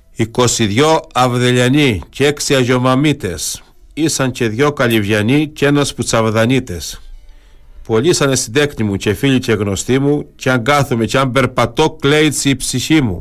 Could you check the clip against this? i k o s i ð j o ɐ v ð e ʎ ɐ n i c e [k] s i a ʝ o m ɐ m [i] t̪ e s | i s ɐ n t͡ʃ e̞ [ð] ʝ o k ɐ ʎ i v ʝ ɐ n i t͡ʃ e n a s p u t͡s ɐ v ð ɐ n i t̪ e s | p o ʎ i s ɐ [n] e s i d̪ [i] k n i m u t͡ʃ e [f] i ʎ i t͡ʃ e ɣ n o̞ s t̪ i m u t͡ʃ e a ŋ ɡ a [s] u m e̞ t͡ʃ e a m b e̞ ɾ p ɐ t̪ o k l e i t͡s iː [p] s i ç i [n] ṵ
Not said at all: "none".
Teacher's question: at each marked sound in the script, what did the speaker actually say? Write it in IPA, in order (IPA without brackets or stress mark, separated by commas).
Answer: k, i, ð, n, e, f, θ, p, m